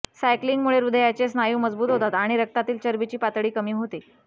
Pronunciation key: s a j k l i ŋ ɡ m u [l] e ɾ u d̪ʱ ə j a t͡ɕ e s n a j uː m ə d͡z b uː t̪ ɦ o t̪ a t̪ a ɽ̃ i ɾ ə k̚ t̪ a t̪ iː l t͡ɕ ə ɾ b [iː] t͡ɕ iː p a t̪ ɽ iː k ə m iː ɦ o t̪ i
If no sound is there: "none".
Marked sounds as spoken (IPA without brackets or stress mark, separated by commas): ɭ, i